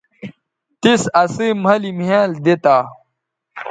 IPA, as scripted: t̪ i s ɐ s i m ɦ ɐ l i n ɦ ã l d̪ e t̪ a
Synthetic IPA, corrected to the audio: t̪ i s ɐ s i m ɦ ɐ l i m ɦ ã l d̪ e t̪ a